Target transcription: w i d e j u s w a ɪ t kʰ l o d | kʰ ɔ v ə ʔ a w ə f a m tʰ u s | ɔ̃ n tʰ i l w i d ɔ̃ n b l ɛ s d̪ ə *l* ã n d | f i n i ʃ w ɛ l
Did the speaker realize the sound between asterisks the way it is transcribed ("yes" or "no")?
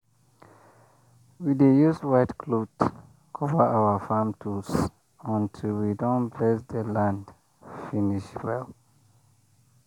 yes